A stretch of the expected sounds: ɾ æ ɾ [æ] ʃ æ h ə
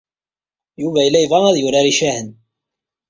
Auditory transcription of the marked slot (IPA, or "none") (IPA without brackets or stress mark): i